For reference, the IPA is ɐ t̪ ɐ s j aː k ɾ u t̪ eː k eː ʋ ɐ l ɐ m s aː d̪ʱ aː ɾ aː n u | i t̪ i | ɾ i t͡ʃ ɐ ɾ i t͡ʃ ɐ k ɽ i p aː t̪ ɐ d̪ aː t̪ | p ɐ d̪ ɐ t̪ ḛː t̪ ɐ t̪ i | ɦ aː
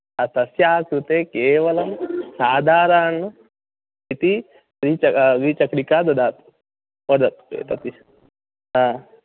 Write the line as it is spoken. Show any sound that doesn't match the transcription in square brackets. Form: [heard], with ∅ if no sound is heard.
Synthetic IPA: ɐ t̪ ɐ s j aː k ɾ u t̪ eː k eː ʋ ɐ l ɐ m s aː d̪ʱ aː ɾ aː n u | i t̪ i | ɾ i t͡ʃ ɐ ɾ i t͡ʃ ɐ k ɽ i [k] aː [d̪] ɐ d̪ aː t̪ | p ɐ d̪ ɐ t̪ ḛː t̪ ɐ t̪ i | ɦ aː